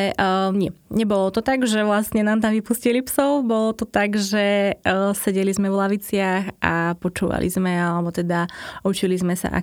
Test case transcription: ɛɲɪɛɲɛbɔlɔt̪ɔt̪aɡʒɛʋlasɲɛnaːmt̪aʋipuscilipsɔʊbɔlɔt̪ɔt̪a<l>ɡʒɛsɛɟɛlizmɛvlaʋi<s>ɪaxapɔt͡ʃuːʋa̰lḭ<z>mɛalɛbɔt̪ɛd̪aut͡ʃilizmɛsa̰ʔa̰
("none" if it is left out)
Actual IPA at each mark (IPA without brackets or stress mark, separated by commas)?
none, t͡s, z